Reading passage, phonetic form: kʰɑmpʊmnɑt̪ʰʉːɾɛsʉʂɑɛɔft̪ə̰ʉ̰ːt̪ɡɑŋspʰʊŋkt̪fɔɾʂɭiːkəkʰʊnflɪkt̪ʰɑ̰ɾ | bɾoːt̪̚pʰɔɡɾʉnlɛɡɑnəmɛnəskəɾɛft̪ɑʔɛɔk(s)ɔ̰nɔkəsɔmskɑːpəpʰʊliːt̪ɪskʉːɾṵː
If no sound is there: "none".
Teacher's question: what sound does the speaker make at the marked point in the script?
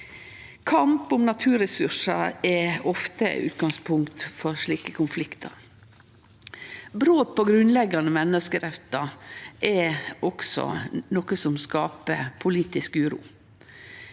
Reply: s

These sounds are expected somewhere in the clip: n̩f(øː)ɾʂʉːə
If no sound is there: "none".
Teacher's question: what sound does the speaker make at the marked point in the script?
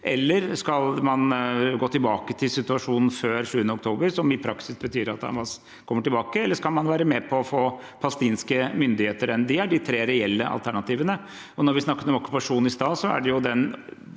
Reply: øː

